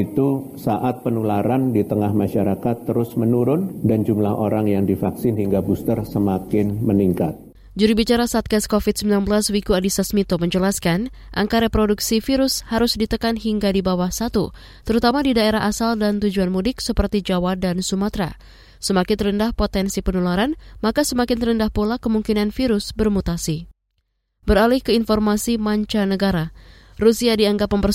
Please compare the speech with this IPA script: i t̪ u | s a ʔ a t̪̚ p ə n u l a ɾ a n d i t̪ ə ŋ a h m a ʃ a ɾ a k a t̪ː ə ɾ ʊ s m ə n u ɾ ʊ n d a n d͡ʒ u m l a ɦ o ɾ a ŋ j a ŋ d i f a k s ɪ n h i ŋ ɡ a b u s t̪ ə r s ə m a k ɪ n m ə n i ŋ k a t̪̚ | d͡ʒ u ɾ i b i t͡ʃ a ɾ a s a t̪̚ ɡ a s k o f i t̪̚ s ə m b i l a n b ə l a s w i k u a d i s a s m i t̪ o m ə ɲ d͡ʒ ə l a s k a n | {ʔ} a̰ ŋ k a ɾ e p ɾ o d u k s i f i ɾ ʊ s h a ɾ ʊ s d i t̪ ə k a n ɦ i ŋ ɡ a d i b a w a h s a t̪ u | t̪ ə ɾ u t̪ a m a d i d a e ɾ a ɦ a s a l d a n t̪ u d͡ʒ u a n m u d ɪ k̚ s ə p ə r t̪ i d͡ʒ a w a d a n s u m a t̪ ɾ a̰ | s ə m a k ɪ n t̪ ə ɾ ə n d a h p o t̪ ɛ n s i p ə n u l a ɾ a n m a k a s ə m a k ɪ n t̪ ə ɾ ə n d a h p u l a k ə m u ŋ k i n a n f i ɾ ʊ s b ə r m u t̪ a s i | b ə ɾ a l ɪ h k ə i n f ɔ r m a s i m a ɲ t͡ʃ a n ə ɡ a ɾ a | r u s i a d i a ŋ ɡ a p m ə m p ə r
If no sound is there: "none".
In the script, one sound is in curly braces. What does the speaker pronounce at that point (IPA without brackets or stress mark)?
ʔ